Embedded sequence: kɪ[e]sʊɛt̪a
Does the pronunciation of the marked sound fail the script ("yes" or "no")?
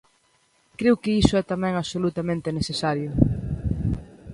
yes